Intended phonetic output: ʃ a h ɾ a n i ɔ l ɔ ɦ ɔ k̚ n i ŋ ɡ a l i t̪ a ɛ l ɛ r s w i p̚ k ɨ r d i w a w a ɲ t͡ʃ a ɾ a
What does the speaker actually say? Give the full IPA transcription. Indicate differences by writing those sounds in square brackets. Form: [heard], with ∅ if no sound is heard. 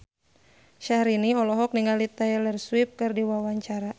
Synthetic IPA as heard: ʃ a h ɾ [i] n i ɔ l ɔ ɦ ɔ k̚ n i ŋ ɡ a l i t̪ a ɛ l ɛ r s w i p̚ k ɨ r d i w a w a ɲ t͡ʃ a ɾ a